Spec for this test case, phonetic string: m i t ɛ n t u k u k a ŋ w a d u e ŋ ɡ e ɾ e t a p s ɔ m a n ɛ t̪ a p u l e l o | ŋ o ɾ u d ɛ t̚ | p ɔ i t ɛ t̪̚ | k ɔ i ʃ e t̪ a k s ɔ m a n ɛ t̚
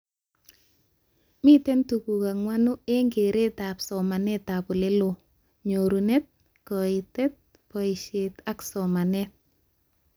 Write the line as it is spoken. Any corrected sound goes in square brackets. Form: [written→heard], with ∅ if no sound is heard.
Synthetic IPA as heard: m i t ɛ n t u k u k a ŋ w a [d→n] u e ŋ ɡ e ɾ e t a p s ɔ m a n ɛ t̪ a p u l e l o | [ŋ→ɲ] o ɾ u [d→n] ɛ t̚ | [p→k] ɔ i t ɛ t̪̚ | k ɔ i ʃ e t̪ a k s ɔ m a n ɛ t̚